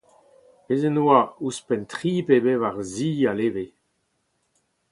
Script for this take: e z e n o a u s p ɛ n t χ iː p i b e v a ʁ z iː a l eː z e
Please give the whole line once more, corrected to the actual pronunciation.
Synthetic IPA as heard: e z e n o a u s p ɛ n t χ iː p e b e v a ʁ z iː a l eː v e